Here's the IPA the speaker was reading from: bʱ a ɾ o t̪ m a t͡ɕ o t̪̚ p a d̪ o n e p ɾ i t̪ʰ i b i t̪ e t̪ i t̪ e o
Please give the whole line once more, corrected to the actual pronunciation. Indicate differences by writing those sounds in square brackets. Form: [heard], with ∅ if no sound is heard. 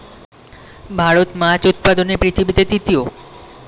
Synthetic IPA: bʱ a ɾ o t̪ m a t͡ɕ [u] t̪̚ p a d̪ o n e p ɾ i t̪ʰ i b i t̪ e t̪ i t̪ [i] o